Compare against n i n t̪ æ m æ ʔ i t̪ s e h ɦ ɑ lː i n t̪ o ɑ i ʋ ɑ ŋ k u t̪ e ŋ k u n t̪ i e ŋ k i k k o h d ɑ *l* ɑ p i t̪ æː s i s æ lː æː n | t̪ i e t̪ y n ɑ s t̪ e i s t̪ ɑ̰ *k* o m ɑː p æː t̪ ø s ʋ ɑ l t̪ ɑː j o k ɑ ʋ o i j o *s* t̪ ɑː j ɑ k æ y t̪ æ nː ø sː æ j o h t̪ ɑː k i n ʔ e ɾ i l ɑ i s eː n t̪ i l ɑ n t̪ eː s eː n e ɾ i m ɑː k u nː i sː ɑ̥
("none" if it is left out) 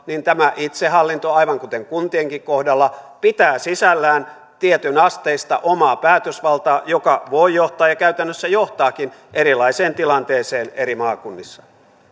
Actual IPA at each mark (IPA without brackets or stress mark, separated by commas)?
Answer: lː, ʔ, h